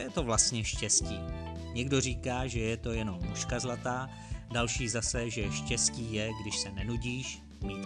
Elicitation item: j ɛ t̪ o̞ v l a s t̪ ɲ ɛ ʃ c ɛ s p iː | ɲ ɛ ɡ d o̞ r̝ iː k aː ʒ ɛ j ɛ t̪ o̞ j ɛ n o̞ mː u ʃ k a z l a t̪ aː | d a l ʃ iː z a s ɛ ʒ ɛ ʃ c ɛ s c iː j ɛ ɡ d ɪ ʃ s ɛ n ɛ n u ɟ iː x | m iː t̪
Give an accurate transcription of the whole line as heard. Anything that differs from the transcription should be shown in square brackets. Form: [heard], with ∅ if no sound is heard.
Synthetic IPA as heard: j ɛ t̪ o̞ v l a s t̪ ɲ ɛ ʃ c ɛ s [c] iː | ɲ ɛ ɡ d o̞ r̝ iː k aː ʒ ɛ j ɛ t̪ o̞ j ɛ n o̞ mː u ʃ k a z l a t̪ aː | d a l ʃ iː z a s ɛ ʒ ɛ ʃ c ɛ s c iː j ɛ ɡ d ɪ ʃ s ɛ n ɛ n u ɟ iː [ʃ] | m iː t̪